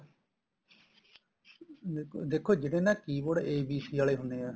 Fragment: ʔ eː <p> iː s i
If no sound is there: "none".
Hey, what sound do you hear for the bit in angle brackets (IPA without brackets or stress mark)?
b